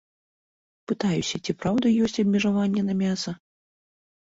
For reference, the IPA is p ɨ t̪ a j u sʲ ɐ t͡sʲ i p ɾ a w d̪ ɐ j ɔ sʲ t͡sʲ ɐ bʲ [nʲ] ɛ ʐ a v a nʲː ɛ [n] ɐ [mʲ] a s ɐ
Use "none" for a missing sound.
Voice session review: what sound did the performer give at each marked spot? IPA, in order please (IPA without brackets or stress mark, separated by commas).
mʲ, n, mʲ